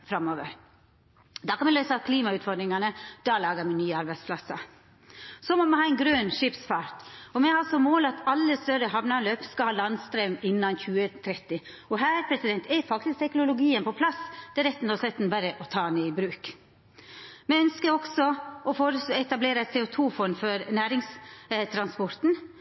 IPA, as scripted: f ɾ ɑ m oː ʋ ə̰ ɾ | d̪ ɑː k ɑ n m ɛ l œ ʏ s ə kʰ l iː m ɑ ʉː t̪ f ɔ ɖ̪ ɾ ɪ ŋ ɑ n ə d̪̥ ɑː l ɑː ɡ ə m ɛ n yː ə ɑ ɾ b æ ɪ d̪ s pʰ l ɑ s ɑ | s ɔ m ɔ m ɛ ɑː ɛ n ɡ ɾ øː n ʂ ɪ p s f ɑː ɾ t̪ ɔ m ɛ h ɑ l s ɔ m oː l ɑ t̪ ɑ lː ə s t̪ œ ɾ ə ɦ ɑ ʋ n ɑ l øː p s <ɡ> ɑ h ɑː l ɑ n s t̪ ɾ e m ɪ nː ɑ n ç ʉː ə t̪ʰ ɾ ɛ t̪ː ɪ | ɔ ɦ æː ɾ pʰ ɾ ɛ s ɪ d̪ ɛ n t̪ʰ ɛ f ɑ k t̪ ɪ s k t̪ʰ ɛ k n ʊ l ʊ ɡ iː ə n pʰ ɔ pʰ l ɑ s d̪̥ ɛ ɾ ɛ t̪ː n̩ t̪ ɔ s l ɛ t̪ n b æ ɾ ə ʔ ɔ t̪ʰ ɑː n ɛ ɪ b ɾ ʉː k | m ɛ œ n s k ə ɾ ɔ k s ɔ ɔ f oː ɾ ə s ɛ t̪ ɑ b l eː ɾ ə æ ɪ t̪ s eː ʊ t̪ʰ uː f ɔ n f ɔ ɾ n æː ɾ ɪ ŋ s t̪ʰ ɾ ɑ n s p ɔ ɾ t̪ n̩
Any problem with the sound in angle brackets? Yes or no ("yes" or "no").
yes